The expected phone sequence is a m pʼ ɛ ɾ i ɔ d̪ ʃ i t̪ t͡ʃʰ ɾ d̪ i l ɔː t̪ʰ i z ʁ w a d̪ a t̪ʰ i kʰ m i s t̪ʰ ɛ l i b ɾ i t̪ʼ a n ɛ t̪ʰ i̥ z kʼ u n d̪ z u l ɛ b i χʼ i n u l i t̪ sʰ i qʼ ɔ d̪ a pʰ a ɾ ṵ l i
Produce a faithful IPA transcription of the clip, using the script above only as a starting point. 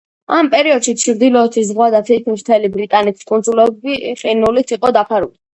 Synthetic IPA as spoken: a m pʼ ɛ ɾ i ɔ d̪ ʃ i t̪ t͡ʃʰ ɾ d̪ i l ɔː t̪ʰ i z ʁ w a d̪ a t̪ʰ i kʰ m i s t̪ʰ ɛ l i b ɾ i t̪ʼ a n ɛ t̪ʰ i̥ s kʼ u n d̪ z u l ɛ b i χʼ i n u l i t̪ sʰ i qʼ ɔ d̪ a pʰ a ɾ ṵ l i